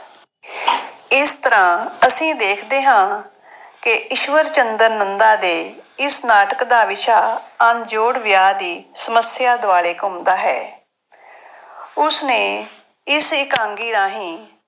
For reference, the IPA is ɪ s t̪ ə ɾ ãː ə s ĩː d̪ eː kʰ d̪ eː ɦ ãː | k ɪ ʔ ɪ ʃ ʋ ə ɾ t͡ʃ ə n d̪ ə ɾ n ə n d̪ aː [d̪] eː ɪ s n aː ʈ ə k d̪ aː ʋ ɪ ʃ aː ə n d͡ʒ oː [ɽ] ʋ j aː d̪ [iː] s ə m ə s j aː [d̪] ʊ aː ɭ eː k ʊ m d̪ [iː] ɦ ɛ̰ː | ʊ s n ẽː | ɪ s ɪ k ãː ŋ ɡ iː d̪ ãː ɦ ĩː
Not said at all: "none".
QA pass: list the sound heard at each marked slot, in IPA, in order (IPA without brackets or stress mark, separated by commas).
d̪, ɽ, iː, d̪, aː